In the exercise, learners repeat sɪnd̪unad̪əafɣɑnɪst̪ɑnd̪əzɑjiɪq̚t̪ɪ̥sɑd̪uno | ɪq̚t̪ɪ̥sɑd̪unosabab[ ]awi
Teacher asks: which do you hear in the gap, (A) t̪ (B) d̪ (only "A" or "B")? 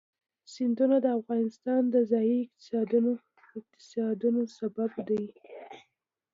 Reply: B